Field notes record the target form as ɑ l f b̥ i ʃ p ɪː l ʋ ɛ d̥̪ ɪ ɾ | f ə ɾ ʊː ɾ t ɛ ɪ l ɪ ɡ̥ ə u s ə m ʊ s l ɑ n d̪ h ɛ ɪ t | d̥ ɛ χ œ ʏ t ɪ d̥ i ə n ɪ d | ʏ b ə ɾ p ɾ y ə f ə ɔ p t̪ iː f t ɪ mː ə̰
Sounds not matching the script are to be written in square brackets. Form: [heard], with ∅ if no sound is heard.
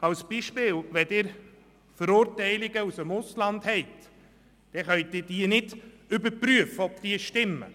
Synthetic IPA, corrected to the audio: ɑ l [s] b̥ i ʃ p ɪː l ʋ ɛ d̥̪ ɪ ɾ | f ə ɾ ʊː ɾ t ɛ ɪ l ɪ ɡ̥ ə u s ə m ʊ s l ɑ n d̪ h ɛ ɪ t | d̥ ɛ χ œ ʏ t ɪ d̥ i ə n ɪ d | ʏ b ə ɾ p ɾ y ə f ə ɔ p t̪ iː [ʃ] t ɪ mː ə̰